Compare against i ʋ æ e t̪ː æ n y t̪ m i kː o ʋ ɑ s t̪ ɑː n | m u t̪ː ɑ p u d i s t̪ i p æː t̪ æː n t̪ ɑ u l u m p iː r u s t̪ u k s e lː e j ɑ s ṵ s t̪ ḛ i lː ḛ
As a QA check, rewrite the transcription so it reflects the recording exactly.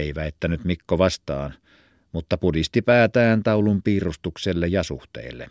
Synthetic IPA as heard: i ʋ æ e t̪ː æ n y t̪ m i kː o ʋ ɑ s t̪ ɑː n | m u t̪ː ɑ p u d i s t̪ i p æː t̪ æː n t̪ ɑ u l u m p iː r u s t̪ u k s e lː e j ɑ s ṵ h t̪ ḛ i lː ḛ